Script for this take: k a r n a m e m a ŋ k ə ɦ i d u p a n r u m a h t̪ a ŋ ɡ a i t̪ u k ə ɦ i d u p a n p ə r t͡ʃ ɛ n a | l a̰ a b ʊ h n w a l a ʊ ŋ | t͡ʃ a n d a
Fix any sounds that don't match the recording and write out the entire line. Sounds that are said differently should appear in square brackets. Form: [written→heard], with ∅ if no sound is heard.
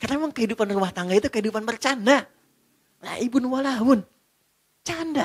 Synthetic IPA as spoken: k a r n a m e m a ŋ k ə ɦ i d u p a n r u m a h t̪ a ŋ ɡ a i t̪ u k ə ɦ i d u p a n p ə r t͡ʃ [ɛ→a] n a | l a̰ [a→i] b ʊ [h→∅] n w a l a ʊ [ŋ→n] | t͡ʃ a n d a